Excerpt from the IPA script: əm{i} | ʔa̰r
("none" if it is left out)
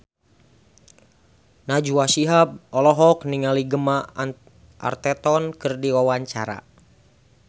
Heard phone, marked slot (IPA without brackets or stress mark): a